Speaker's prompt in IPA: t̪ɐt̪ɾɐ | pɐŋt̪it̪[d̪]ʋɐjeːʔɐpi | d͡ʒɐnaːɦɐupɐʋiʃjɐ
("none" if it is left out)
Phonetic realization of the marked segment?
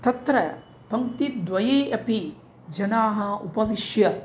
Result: d̪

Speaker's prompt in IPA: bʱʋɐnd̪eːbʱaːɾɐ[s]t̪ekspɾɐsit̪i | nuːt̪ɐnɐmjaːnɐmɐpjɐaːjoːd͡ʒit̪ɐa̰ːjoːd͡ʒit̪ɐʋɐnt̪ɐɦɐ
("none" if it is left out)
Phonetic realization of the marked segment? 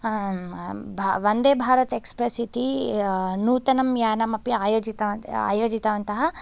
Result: none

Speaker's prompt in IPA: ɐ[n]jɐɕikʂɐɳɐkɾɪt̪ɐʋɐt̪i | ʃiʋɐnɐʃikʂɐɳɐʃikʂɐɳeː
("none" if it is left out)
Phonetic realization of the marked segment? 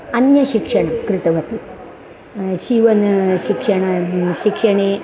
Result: n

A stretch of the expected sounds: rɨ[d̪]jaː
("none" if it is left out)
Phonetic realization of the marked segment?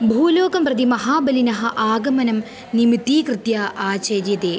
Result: t̪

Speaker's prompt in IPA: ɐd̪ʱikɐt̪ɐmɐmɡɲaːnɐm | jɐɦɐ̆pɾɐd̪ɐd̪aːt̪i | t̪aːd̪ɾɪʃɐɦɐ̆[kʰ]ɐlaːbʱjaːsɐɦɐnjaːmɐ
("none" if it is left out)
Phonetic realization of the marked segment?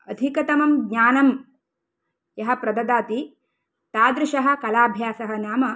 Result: k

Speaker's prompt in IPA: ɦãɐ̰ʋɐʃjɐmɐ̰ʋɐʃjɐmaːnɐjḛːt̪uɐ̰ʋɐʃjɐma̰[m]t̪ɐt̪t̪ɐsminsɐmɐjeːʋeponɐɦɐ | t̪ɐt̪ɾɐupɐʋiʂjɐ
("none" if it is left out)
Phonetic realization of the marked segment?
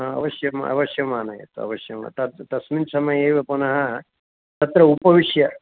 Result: none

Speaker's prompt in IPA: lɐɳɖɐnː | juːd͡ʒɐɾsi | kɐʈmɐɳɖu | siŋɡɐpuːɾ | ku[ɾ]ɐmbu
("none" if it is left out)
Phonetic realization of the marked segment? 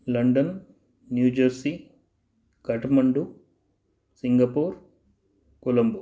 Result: l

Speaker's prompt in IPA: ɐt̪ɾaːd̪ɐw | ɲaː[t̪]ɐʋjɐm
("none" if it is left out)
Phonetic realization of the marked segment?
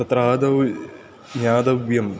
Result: d̪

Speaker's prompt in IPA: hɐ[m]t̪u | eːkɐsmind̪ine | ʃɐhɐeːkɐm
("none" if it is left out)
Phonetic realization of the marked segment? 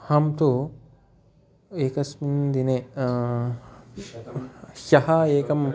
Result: m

